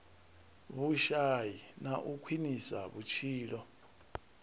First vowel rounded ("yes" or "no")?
yes